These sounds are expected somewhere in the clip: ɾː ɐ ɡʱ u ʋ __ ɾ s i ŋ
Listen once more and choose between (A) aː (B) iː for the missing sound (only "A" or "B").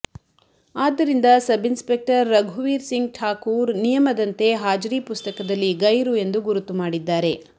B